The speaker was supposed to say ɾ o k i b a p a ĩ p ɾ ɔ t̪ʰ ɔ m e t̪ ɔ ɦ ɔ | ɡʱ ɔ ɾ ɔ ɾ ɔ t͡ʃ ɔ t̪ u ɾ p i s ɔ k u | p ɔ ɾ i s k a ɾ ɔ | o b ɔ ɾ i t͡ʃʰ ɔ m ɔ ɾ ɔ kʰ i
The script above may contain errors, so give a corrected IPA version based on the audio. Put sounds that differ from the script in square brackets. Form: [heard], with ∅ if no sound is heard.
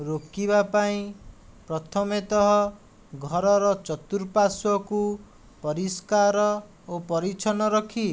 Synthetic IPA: ɾ o k i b a p a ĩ p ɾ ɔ t̪ʰ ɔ m e t̪ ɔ ɦ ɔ | ɡʱ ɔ ɾ ɔ ɾ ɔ t͡ʃ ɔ t̪ u ɾ p [a] s ɔ k u | p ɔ ɾ i s k a ɾ ɔ | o [p] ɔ ɾ i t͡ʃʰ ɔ [n] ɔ ɾ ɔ kʰ i